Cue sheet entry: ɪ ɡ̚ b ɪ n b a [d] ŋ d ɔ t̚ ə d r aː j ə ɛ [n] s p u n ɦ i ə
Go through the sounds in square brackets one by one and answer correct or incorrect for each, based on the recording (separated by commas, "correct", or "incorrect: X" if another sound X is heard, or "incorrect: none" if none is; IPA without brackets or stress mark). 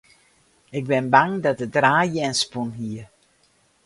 incorrect: none, correct